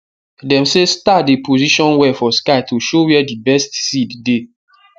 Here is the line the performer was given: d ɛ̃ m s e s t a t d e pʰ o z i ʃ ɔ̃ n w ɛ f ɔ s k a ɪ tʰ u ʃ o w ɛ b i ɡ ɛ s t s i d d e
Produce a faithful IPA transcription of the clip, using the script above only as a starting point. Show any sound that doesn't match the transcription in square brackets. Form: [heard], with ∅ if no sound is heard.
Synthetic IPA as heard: d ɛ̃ m s e s t a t d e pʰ o z i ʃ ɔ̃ n w ɛ f ɔ s k a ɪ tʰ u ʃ o w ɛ [d] i [b] ɛ s t s i d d e